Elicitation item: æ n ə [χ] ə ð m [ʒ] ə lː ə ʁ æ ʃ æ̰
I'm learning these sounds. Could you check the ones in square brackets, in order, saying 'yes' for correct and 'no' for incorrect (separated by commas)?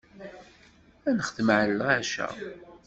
yes, no